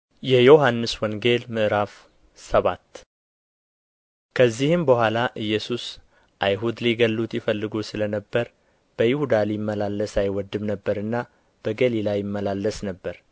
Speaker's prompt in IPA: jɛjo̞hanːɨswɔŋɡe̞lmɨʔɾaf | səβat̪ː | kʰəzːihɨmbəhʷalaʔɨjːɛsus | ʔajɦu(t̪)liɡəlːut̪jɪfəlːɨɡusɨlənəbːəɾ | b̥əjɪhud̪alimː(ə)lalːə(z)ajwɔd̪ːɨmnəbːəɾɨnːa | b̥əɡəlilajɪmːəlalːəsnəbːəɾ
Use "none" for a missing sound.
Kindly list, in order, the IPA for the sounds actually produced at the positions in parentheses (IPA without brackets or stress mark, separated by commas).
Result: d̪, ə, s